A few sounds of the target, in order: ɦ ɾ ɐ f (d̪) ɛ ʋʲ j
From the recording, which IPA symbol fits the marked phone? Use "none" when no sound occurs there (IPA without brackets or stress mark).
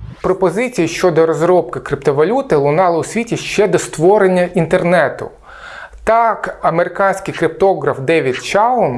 d̪